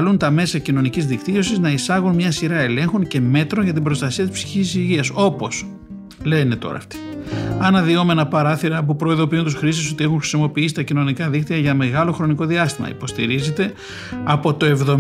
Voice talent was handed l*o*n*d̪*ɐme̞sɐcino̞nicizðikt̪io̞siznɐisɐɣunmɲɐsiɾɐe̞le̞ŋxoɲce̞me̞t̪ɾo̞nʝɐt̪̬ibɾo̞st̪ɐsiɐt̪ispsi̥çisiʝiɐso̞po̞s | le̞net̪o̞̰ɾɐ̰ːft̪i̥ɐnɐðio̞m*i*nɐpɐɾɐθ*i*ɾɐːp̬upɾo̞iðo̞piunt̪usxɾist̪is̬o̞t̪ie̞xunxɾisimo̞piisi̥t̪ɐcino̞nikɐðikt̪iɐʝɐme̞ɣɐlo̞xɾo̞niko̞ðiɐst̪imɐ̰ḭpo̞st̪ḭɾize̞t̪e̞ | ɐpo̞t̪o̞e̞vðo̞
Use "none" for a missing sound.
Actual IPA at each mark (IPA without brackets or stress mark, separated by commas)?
u, t̪, e, i